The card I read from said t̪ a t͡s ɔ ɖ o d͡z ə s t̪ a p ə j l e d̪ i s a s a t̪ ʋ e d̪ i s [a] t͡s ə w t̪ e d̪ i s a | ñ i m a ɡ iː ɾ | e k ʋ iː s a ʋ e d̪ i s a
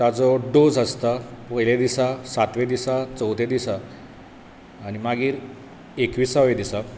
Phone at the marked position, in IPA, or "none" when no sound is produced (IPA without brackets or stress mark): a